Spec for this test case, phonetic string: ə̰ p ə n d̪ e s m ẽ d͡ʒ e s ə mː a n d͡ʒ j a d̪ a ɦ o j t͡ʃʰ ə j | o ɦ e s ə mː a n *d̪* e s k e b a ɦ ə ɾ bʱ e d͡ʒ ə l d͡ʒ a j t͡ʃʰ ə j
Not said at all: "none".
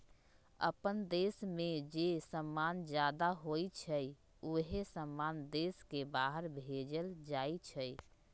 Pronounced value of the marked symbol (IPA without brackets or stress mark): d̪